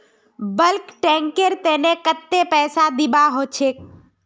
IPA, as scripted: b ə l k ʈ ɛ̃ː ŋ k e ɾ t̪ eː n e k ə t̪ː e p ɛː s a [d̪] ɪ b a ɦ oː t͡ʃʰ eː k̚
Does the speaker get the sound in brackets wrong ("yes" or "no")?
no